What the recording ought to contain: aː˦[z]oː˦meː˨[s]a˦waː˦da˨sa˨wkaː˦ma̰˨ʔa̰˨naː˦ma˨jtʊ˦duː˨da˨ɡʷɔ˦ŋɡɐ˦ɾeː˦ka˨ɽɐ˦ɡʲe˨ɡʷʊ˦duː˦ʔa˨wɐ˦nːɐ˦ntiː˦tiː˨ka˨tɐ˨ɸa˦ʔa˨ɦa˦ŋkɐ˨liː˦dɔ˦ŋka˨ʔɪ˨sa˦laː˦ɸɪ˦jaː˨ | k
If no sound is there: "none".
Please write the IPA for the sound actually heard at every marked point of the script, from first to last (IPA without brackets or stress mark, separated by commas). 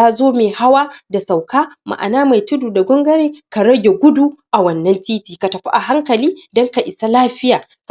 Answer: z, h